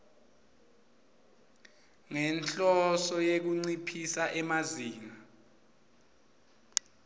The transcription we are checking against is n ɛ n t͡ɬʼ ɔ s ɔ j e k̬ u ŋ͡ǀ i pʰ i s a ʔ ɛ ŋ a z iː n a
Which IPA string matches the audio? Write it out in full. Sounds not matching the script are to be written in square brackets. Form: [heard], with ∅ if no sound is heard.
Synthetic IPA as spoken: [ŋ] ɛ n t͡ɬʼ ɔ s ɔ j e k̬ u ŋ͡ǀ i pʰ i s a ʔ ɛ [m] a z iː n a